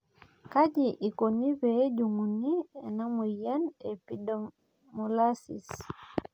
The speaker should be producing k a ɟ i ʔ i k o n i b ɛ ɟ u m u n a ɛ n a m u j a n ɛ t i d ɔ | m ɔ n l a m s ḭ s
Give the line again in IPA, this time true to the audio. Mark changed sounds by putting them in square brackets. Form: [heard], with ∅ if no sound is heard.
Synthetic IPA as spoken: k a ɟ i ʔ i k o n i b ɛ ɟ u [ŋ] u n [i] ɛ n a m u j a n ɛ [p] i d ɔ | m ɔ [∅] l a [∅] s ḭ s